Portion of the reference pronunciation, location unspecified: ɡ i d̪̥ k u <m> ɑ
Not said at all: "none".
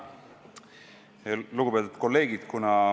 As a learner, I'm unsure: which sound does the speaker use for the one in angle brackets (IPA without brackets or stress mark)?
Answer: n